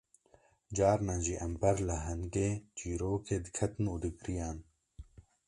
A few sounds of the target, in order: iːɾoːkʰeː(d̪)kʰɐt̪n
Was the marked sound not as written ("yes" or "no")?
no